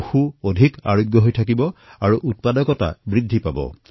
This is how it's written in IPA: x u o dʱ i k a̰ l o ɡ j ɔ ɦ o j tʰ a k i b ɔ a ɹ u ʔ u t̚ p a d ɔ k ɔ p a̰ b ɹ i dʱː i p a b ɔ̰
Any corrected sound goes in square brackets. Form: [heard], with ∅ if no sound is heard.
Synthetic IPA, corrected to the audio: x u o dʱ i k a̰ [ɹ] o ɡ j ɔ ɦ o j tʰ a k i b ɔ a ɹ u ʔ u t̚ p a d ɔ k ɔ [t] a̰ b ɹ i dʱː i p a b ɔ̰